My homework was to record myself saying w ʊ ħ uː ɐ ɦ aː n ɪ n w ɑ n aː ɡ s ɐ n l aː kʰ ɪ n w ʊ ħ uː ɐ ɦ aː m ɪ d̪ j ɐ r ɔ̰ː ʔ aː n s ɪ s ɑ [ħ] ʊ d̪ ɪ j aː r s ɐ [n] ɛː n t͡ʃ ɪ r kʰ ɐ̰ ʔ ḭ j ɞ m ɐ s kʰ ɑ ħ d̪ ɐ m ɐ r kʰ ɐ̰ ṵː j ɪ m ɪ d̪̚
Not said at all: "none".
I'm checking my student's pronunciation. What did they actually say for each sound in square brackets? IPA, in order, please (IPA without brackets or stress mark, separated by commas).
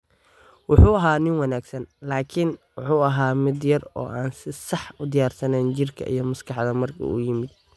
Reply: ħ, n